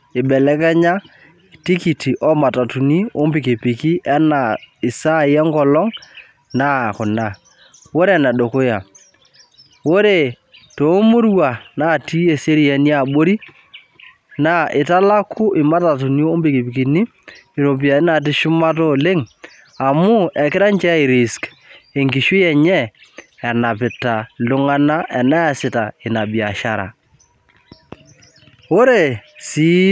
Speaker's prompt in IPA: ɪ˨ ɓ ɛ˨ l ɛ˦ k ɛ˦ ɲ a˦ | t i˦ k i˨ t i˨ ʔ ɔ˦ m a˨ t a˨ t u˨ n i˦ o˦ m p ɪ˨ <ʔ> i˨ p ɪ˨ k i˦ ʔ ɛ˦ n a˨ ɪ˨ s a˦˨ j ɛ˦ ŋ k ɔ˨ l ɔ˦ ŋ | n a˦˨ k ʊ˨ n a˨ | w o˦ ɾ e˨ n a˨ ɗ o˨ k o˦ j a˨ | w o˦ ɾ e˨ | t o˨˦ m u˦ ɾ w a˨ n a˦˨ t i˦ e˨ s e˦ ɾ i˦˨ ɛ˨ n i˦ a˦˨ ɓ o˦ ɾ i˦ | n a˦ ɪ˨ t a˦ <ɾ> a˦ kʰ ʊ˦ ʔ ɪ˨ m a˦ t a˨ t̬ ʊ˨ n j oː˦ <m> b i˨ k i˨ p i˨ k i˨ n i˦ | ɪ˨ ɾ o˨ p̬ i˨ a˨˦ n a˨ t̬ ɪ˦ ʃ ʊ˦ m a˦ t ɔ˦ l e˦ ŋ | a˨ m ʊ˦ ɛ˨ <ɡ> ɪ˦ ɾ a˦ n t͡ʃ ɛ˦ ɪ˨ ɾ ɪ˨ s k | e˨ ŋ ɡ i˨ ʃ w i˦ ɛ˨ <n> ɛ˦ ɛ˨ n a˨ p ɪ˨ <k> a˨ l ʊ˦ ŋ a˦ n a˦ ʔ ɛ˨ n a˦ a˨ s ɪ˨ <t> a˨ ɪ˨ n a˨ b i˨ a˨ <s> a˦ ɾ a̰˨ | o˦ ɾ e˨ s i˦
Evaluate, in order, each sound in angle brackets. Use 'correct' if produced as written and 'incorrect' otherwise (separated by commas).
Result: incorrect, incorrect, correct, incorrect, incorrect, incorrect, correct, incorrect